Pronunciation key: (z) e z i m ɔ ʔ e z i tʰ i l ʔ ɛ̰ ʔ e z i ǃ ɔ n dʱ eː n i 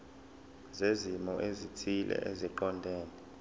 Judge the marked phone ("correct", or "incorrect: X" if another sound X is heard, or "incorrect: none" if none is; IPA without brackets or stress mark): correct